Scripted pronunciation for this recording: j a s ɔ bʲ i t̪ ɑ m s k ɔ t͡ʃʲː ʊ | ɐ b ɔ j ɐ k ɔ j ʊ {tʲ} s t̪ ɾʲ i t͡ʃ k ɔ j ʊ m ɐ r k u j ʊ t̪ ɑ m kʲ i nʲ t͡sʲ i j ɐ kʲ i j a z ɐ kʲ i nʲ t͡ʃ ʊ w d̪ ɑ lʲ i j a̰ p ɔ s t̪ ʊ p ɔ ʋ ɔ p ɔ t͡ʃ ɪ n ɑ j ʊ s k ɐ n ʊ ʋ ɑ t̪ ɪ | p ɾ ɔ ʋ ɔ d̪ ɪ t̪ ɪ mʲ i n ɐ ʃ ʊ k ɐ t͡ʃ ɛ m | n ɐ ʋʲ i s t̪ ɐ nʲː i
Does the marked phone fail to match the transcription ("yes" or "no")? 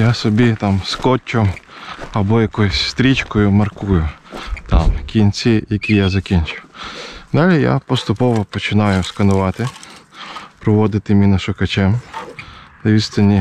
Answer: yes